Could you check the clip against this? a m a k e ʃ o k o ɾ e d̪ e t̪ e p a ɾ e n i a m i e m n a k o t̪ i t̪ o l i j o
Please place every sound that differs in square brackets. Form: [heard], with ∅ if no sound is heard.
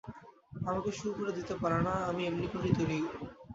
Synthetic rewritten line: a m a k e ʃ [u] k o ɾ e d̪ [i] t̪ e p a ɾ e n [a] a m i e m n [i] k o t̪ i t̪ o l i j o